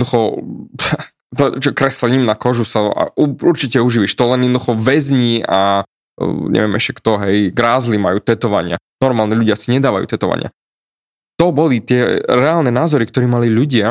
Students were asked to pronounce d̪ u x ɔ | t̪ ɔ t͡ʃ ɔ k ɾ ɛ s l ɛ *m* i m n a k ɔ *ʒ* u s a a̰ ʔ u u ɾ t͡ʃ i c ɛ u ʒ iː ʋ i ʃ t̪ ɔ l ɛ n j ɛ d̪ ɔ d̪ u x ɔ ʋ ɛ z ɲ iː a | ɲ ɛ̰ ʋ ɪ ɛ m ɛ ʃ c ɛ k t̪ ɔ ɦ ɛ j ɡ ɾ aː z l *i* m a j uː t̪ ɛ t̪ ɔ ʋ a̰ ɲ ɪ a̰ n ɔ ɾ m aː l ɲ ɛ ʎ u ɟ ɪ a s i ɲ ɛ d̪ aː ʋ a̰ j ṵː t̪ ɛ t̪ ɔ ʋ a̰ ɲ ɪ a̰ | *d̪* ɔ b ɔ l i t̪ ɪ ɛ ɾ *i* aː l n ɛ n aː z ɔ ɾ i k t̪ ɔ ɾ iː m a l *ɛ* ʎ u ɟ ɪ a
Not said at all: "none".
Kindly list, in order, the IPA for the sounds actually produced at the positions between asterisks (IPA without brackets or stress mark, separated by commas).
ɲ, ʒ, i, t̪, ɛ, i